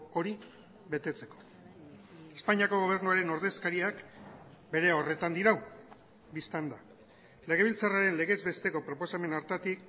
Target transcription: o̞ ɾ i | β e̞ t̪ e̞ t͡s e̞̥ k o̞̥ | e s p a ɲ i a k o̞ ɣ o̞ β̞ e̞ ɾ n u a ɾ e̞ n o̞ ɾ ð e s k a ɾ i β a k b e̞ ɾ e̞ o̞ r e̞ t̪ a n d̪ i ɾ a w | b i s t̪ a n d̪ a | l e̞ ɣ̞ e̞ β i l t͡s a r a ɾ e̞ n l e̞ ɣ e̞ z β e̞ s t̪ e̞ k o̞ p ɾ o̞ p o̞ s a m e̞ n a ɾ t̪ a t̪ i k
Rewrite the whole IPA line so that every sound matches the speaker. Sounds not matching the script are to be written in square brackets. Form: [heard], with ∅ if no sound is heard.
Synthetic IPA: o̞ ɾ i | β e̞ t̪ e̞ t͡s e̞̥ k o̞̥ | e s p a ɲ i a k o̞ ɣ o̞ β̞ e̞ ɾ n u a ɾ e̞ n o̞ ɾ ð e s k a ɾ i [∅] a k b e̞ ɾ e̞ o̞ r e̞ t̪ a n d̪ i ɾ a w | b i s t̪ a n d̪ a | l e̞ ɣ̞ e̞ β i l t͡s a r a ɾ e̞ n l e̞ ɣ e̞ z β e̞ s t̪ e̞ k o̞ p ɾ o̞ p o̞ s a m e̞ n a ɾ t̪ a t̪ i k